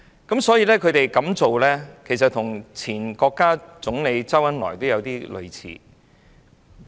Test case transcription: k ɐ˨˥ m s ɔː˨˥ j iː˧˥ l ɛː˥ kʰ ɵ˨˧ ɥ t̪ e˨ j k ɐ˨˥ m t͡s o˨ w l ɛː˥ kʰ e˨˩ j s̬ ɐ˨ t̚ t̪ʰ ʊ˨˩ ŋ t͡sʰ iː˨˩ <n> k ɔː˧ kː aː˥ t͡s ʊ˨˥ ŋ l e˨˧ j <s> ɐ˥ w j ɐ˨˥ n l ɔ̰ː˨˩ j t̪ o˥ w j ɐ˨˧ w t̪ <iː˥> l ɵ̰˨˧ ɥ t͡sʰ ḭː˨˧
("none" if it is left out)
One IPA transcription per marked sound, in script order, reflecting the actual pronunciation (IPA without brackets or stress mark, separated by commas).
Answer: n, t͡s, iː˥